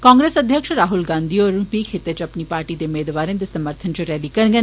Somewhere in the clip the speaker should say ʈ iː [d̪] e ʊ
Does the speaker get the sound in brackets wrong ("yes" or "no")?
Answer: no